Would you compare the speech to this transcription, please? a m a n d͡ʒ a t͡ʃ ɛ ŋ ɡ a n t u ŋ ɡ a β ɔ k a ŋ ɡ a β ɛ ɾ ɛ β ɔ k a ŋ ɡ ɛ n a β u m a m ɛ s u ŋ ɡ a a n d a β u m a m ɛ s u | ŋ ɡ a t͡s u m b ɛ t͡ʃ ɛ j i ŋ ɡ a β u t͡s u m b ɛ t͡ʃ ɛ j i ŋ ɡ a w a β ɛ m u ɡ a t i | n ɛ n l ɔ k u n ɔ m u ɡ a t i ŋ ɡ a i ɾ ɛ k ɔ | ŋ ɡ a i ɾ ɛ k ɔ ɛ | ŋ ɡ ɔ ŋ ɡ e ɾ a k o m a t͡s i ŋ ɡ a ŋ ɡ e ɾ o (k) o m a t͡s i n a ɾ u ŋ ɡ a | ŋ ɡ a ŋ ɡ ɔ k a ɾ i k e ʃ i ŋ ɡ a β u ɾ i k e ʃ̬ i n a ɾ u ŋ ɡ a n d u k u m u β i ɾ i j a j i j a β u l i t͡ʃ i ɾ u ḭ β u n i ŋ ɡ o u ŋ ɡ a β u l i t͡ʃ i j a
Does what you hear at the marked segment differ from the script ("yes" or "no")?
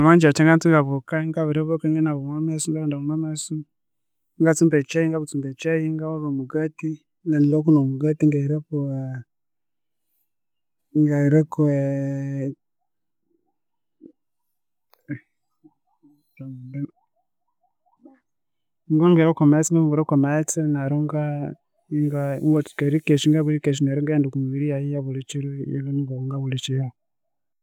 no